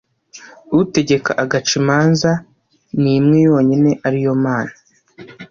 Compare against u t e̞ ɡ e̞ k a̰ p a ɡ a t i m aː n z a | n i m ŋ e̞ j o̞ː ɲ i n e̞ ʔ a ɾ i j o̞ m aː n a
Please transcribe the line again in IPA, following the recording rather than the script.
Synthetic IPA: u t e̞ ɟ e̞ k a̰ ʔ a ɡ a t͡ʃ i m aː n z a | n i m ŋ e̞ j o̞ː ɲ i n e̞ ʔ a ɾ i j o̞ m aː n a